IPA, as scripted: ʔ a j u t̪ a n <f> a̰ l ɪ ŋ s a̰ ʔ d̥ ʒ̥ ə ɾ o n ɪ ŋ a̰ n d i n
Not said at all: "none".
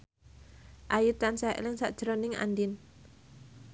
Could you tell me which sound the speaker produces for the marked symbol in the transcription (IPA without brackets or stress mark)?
s